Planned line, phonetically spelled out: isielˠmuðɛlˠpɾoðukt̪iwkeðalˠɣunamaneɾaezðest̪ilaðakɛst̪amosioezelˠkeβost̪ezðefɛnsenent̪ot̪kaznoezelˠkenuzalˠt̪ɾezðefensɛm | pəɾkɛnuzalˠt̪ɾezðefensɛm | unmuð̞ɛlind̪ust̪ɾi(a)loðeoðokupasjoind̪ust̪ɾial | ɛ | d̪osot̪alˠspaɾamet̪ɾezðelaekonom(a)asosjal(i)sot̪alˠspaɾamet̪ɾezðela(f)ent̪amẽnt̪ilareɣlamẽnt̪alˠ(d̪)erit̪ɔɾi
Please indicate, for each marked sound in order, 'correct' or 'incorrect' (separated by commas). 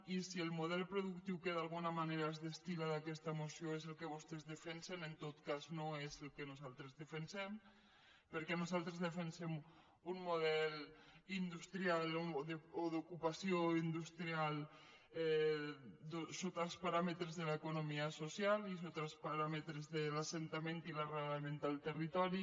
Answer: correct, incorrect, correct, incorrect, incorrect